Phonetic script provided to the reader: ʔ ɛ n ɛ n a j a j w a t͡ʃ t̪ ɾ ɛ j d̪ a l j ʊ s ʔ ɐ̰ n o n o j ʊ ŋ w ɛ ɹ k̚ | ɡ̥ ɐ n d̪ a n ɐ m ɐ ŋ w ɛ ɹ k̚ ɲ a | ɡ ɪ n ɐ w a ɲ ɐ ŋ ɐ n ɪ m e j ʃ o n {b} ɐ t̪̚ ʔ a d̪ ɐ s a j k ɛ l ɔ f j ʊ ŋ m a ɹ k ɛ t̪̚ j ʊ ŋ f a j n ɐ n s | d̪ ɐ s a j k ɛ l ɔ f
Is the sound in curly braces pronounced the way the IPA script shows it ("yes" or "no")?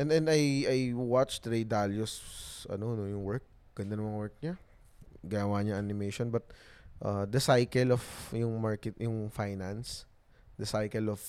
yes